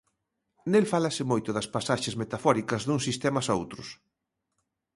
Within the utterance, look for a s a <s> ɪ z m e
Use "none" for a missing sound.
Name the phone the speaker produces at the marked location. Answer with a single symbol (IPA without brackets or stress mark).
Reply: ʃ